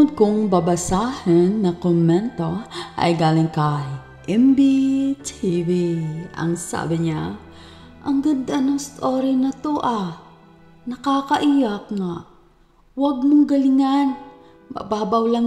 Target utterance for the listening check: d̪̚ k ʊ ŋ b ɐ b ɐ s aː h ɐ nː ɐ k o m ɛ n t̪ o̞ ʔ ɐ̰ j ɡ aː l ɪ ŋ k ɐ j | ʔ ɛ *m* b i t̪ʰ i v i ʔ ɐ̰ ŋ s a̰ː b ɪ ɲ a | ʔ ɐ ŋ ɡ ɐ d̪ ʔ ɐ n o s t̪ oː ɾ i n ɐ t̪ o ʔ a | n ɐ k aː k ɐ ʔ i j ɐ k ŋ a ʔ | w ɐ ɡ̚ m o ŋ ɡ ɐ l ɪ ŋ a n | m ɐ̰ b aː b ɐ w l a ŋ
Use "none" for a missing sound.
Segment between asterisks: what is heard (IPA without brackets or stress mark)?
m